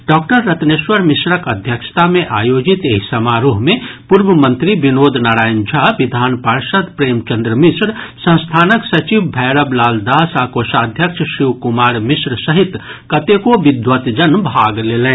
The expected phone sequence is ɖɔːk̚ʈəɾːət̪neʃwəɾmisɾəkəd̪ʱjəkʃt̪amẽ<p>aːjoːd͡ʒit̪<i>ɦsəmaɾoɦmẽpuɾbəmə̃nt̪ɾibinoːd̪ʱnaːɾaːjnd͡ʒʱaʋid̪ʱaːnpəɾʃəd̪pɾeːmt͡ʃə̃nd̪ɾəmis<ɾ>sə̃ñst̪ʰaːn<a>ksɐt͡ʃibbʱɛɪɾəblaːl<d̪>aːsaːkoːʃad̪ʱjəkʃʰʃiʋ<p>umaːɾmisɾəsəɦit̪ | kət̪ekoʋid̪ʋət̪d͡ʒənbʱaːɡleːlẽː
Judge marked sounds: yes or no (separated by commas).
no, no, yes, no, yes, no